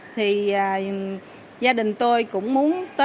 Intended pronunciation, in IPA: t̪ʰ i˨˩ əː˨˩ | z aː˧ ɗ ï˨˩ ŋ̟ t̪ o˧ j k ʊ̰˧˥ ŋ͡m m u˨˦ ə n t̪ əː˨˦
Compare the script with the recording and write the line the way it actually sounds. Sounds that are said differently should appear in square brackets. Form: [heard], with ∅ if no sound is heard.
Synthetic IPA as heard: t̪ʰ i˨˩ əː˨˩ | z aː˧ ɗ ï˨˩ ŋ̟ t̪ o˧ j k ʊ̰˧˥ ŋ͡m m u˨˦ ə n t̪ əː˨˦